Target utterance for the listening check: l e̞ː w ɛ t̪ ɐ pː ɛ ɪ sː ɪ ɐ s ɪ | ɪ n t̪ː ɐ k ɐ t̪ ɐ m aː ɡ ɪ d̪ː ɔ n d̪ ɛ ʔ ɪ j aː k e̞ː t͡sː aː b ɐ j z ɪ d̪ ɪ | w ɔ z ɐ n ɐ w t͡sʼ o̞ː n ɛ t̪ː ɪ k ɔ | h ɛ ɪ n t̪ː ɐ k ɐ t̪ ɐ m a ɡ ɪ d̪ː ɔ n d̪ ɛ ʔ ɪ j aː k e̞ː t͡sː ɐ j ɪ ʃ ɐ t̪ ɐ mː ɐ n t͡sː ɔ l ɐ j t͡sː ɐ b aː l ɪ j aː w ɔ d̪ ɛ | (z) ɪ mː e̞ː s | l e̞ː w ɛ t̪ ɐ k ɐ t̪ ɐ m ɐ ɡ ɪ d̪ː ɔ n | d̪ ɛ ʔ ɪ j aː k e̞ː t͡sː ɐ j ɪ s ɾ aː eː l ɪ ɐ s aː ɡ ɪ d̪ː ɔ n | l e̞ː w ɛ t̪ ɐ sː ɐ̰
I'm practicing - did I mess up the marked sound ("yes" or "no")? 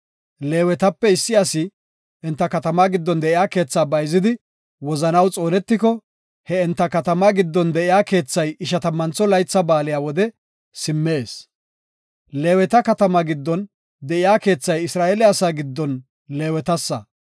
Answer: yes